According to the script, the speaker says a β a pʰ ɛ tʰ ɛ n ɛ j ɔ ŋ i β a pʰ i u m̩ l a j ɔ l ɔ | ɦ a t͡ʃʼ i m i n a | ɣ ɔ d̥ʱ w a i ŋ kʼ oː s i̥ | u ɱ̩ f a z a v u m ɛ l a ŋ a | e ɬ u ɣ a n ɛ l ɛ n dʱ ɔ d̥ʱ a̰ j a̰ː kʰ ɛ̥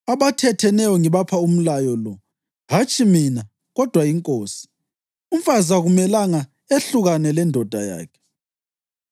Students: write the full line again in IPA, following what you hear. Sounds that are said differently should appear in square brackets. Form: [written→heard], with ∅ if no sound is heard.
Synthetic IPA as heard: a β a [pʰ→tʰ] ɛ tʰ ɛ n ɛ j ɔ ŋ i β a pʰ [i→a] u m̩ l a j ɔ l ɔ | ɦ a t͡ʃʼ i m i n a | ɣ ɔ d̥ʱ w a i ŋ kʼ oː s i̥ | u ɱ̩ f a z a [v→ɣ] u m ɛ l a ŋ a | e ɬ u ɣ a n ɛ l ɛ n dʱ ɔ d̥ʱ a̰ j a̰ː kʰ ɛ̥

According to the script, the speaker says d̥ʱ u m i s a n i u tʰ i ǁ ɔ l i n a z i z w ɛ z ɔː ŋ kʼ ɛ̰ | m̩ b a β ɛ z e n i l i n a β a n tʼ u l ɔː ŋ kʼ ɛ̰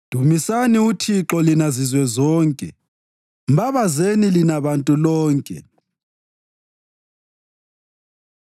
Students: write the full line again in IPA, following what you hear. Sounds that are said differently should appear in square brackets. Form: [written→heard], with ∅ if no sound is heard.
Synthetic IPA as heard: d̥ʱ u m i s a n i u tʰ i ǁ ɔ l i n a z i z w ɛ z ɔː ŋ kʼ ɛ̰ | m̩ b a β [ɛ→a] z e n i l i n a β a n tʼ u l ɔː ŋ kʼ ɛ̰

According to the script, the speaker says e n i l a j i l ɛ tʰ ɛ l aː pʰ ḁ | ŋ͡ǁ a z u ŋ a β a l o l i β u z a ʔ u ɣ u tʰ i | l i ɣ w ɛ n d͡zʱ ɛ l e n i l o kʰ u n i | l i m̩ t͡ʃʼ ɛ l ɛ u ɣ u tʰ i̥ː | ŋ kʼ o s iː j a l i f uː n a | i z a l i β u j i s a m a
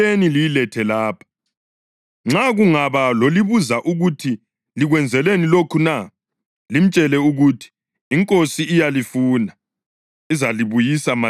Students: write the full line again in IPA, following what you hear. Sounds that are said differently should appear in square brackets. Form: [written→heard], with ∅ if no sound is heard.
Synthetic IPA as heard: e n i l [a→i] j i l ɛ tʰ ɛ l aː pʰ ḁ | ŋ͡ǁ a [z→ɣ] u ŋ a β a l o l i β u z a ʔ u ɣ u tʰ i | l i ɣ w ɛ n d͡zʱ ɛ l e n i l o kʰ u n [i→a] | l i m̩ t͡ʃʼ ɛ l ɛ u ɣ u tʰ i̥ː | ŋ kʼ o s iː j a l i f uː n a | i z a l i β u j i s a m a

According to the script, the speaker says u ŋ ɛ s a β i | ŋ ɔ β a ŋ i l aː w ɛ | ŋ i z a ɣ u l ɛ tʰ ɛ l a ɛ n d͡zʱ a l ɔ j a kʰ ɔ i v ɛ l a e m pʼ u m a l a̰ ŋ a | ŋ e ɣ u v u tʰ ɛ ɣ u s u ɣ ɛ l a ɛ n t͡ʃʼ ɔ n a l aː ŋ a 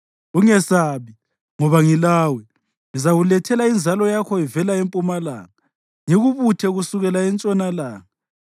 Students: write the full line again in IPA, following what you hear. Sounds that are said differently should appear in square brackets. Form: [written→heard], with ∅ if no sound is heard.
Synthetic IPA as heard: u ŋ ɛ s a β i | ŋ ɔ β a ŋ i l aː w ɛ | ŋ i z a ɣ u l ɛ tʰ ɛ l a [ɛ→i] n d͡zʱ a l ɔ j a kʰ ɔ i v ɛ l a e m pʼ u m a l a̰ ŋ a | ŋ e ɣ u [v→β] u tʰ ɛ ɣ u s u ɣ ɛ l a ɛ n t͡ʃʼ ɔ n a l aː ŋ a

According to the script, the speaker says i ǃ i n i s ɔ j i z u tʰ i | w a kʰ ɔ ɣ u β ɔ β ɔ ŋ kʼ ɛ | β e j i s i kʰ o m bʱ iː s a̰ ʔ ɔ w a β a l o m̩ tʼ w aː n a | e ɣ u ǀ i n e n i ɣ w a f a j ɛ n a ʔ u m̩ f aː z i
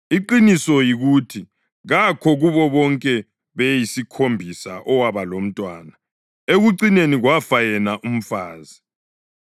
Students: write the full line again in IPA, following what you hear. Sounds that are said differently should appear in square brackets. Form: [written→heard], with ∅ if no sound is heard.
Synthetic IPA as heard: i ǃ i n i s ɔ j i [z→ɣ] u tʰ i | [w→ɣ] a kʰ ɔ ɣ u β ɔ β ɔ ŋ kʼ ɛ | β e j i s i kʰ o m bʱ [iː→i] s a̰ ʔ ɔ w a β a l o m̩ tʼ w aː n a | e ɣ u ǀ i n e n i ɣ w a f a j ɛ n a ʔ u m̩ f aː z i

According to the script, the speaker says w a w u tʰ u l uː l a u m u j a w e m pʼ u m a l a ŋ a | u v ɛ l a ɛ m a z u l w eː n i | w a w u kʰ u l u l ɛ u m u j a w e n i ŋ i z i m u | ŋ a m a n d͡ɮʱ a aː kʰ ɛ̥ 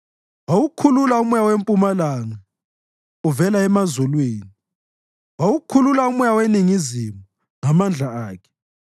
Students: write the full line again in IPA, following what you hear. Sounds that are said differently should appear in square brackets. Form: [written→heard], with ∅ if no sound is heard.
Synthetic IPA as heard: w a w u [tʰ→kʰ] u l [uː→u] l a u m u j a w e m pʼ u m a l a ŋ a | u v ɛ l a ɛ m a z u l w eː n i | w a w u kʰ u l u l [ɛ→a] u m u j a w e n i ŋ i z i m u | ŋ a m a n d͡ɮʱ a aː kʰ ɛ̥

